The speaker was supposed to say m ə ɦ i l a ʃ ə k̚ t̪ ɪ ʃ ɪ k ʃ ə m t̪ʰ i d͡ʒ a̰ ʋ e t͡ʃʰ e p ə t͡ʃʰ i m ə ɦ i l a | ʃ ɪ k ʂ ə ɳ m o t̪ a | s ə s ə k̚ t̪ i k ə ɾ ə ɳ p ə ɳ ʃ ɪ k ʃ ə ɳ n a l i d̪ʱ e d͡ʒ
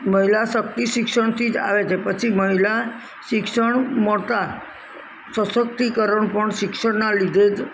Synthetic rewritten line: m ə ɦ i l a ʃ ə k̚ t̪ i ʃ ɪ k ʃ ə ɳ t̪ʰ i d͡ʒ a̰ ʋ e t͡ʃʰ e p ə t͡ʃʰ i m ə ɦ i l a | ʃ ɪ k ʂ ə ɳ m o t̪ a | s ə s ə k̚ t̪ i k ə ɾ ə ɳ p ə ɳ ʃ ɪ k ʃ ə ɳ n a l i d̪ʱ e d͡ʒ